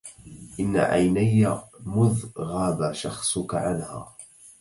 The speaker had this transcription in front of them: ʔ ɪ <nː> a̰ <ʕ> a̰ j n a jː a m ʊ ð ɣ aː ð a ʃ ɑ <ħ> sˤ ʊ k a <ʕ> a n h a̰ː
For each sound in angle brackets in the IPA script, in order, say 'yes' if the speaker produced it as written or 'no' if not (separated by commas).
yes, yes, no, yes